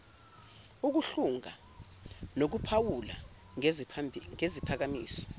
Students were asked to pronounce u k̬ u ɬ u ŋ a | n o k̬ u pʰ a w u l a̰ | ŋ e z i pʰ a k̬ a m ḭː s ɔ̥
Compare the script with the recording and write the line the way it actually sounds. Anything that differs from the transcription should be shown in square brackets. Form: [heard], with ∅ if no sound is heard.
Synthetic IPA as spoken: u k̬ u ɬ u ŋ a | n o k̬ u pʰ a w u l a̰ | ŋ e z i pʰ a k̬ a m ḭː s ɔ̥